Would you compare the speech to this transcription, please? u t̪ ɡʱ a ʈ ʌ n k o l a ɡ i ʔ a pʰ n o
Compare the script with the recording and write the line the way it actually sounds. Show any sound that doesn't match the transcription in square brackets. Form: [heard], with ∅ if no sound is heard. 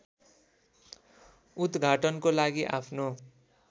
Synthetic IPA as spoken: u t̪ ɡʱ a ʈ ʌ n k o l a ɡ i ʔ a pʰ n o